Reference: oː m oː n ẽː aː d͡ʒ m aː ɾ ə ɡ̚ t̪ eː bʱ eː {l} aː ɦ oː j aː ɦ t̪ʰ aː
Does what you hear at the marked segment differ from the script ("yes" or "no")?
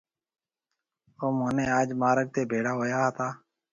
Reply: yes